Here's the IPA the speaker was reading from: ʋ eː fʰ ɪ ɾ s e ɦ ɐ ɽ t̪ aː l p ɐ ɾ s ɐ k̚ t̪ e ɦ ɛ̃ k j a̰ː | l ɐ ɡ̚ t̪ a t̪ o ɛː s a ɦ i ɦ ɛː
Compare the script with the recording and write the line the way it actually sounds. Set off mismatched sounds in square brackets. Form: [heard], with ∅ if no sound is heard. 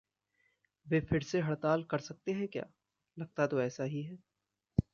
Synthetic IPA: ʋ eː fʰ ɪ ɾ s e ɦ ɐ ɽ t̪ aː l [k] ɐ ɾ s ɐ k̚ t̪ e ɦ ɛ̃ k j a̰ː | l ɐ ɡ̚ t̪ a t̪ o ɛː s a ɦ i ɦ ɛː